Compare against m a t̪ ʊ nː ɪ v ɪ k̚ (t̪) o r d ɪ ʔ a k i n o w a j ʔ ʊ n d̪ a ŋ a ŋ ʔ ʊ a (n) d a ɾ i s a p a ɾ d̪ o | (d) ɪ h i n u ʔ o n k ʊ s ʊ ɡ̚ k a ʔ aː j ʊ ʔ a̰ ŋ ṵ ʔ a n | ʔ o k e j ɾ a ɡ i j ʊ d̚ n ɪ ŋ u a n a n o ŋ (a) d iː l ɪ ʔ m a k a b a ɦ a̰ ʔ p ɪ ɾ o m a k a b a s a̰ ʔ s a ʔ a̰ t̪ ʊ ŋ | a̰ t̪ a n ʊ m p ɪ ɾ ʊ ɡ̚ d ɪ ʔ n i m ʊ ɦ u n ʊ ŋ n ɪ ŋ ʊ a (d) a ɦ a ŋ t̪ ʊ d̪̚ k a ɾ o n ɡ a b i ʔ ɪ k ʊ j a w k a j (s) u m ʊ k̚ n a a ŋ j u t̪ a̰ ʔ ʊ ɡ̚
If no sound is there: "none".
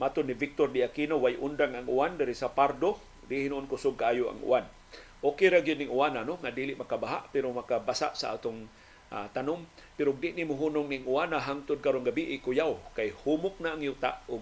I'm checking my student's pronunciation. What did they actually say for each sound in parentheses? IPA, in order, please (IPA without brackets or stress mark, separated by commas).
t̪, n, d, a, n, h